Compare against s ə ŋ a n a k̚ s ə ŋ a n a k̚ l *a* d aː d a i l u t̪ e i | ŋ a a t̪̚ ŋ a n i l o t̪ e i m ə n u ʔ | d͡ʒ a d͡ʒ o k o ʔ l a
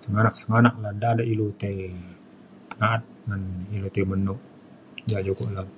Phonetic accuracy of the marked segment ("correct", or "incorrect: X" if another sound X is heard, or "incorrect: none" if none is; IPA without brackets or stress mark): correct